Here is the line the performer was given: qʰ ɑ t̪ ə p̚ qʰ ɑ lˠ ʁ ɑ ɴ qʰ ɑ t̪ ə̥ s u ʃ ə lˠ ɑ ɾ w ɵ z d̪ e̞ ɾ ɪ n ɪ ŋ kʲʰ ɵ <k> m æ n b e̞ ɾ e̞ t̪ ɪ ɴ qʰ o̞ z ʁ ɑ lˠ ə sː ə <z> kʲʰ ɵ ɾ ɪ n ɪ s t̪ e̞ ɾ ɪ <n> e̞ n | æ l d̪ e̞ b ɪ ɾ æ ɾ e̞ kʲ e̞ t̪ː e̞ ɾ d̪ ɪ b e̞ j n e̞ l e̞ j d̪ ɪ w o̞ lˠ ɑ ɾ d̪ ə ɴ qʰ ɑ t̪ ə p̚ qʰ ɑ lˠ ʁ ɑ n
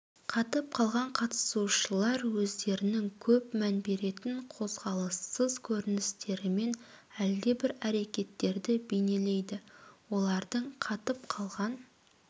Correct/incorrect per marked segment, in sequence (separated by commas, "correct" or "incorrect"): incorrect, correct, incorrect